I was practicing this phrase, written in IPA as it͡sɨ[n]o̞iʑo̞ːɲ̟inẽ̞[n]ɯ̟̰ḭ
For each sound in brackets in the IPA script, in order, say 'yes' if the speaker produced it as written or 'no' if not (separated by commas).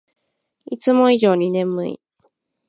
no, no